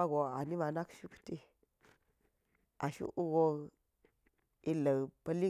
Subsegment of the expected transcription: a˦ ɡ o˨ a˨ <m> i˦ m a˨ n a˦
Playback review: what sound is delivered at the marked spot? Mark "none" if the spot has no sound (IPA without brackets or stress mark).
n